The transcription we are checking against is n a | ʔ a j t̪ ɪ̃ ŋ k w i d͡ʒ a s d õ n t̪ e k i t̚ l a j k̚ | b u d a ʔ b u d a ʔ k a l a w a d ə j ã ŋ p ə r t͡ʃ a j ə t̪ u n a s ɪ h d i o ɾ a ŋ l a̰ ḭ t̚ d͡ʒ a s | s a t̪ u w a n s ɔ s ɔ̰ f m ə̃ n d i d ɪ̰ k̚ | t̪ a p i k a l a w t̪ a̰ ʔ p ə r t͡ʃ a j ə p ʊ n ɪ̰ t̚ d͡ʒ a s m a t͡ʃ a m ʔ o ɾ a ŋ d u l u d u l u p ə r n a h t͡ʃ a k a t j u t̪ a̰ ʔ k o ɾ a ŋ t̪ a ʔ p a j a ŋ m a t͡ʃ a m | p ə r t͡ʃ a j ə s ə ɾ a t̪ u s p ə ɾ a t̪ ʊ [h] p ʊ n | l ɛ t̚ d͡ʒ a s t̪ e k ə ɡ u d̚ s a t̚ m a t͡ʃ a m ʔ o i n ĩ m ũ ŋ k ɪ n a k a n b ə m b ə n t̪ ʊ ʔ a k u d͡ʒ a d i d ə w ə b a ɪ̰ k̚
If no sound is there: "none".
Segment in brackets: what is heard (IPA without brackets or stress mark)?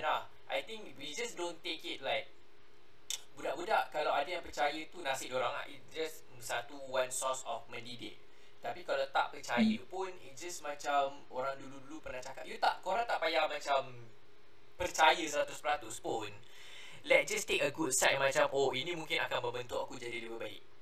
s